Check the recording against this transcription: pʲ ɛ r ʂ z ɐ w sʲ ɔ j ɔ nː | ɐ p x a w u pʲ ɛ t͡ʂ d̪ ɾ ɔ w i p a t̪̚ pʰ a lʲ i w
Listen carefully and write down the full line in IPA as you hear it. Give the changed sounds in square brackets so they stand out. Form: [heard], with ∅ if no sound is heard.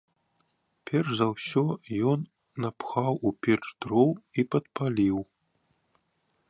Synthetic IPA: pʲ ɛ r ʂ z ɐ w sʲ ɔ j ɔ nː | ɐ p x a w u pʲ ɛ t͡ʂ d̪ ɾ ɔ w i p [ɐ] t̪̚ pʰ a lʲ i w